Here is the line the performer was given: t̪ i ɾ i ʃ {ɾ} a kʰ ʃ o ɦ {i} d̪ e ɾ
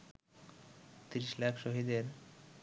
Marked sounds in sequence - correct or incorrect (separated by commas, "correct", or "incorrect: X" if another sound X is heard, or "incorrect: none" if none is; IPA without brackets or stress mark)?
incorrect: l, correct